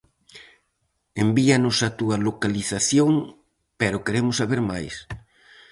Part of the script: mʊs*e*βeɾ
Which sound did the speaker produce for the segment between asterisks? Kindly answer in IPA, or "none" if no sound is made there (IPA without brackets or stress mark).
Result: a